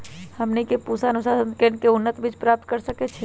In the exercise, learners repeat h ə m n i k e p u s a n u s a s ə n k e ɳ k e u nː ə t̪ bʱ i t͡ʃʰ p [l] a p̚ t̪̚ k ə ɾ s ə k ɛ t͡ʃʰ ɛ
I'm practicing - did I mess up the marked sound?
yes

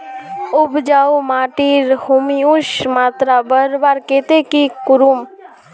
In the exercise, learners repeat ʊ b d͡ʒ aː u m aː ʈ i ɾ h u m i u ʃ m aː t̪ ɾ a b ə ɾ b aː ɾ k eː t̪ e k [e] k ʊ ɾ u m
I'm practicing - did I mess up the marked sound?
yes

